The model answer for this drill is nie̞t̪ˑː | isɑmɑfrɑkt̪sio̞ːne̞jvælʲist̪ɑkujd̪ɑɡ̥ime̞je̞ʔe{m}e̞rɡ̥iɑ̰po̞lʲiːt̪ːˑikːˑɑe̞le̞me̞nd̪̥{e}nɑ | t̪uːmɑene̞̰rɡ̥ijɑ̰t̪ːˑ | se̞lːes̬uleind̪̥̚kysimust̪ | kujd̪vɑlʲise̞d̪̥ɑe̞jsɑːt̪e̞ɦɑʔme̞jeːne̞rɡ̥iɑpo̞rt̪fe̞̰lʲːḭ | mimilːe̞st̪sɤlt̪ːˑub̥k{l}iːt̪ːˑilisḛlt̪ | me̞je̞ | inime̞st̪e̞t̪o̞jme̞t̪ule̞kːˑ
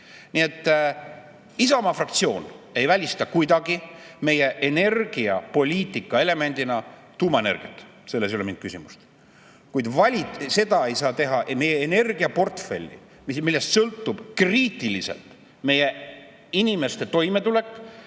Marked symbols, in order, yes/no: no, no, no

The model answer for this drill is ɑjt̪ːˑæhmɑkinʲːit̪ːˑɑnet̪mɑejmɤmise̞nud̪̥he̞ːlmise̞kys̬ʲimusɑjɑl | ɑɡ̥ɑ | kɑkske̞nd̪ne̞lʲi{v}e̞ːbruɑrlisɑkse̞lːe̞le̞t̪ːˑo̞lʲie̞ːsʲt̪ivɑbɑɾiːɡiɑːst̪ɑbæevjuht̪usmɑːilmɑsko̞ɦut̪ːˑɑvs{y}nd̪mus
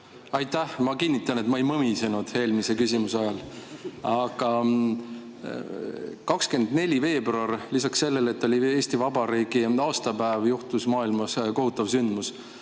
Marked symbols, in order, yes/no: yes, yes

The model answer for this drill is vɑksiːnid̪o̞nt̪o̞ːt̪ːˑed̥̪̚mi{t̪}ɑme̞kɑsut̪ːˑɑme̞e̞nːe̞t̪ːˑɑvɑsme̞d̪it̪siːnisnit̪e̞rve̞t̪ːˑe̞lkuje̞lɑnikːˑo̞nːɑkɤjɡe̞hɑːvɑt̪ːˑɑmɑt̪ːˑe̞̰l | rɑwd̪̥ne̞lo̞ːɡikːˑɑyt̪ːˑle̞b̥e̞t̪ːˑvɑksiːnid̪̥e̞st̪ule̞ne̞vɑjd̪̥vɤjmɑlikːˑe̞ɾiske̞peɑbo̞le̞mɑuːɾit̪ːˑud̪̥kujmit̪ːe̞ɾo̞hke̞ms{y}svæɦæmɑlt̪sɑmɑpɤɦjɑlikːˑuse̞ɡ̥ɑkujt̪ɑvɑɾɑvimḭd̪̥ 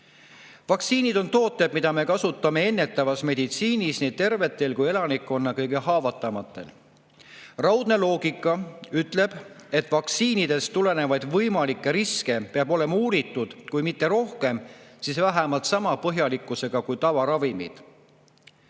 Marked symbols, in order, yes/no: no, no

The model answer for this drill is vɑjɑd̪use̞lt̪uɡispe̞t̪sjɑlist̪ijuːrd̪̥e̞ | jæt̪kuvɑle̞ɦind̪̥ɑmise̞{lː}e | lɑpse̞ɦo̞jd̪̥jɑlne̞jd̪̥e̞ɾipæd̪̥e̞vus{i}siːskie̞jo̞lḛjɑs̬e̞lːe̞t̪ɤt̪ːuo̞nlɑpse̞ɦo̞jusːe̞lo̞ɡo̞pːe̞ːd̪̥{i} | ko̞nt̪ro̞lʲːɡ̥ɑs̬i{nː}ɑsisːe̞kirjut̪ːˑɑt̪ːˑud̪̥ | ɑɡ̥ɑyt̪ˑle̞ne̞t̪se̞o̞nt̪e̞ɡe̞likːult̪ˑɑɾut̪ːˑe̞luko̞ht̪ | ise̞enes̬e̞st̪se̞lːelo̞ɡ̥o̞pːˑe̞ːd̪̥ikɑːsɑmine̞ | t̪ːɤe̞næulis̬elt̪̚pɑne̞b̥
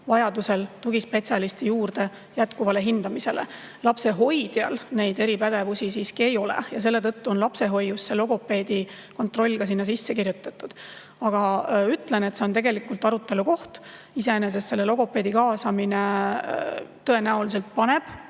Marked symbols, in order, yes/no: no, yes, yes, yes

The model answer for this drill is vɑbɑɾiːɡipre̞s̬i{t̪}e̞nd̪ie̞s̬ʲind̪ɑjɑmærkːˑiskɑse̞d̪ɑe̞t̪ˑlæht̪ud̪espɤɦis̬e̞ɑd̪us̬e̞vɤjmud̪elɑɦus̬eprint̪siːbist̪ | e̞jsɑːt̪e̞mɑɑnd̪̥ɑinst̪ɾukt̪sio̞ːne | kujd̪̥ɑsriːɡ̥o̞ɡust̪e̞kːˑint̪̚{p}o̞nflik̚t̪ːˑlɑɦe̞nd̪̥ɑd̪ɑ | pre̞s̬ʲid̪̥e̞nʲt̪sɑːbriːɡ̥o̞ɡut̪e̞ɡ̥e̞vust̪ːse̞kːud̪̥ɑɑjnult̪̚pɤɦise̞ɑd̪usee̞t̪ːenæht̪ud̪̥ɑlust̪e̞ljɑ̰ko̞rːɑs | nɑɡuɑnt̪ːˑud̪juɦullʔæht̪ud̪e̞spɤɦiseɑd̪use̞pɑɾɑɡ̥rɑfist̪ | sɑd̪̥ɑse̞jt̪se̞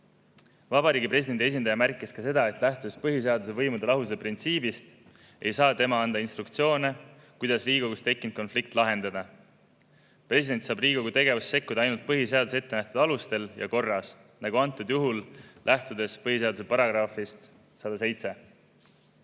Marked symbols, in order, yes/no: no, no

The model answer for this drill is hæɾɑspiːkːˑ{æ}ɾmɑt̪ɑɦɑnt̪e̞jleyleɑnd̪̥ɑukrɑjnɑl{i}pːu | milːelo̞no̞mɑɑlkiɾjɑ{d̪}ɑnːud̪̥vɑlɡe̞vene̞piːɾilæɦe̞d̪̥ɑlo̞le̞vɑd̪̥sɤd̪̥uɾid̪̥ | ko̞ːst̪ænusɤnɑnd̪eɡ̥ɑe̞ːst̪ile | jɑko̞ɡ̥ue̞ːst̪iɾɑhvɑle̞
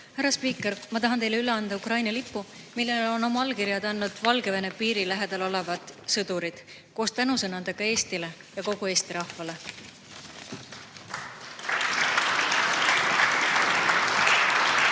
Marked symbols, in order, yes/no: no, yes, yes

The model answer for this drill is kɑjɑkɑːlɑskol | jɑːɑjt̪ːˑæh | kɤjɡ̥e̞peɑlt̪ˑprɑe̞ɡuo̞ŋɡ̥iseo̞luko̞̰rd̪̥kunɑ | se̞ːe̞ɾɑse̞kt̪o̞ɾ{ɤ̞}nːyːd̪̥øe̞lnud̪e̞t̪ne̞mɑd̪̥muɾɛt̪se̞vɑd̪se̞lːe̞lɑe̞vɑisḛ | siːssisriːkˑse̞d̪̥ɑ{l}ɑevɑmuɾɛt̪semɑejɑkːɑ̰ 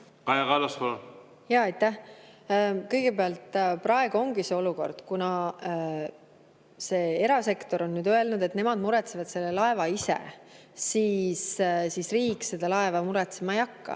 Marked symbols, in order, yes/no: no, yes

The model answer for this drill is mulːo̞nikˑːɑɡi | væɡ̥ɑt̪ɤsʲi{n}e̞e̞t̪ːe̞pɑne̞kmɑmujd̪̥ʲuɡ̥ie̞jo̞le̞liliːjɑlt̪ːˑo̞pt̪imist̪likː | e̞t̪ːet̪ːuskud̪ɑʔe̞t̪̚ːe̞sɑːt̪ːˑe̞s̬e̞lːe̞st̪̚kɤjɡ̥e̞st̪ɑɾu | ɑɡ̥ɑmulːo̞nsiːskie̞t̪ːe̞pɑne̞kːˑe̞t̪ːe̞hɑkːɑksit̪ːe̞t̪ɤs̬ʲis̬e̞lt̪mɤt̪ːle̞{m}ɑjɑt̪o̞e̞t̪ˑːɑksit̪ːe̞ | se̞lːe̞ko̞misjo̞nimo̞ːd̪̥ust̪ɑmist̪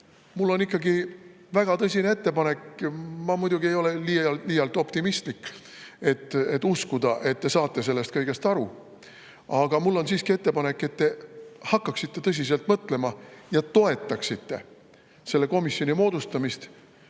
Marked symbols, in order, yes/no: yes, yes

